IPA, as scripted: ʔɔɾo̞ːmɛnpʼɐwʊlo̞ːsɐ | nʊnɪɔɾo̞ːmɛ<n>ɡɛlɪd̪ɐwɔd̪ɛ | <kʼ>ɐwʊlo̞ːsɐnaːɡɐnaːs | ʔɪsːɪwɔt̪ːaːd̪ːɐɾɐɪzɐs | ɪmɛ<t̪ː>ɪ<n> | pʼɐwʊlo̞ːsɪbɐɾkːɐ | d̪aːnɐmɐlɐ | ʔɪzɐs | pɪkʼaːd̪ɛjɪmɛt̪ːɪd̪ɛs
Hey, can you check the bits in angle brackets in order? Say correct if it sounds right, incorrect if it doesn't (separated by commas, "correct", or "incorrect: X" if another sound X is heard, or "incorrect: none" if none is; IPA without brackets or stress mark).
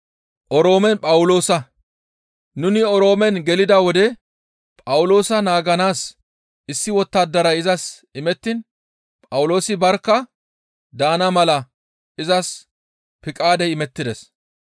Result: correct, incorrect: pʼ, correct, correct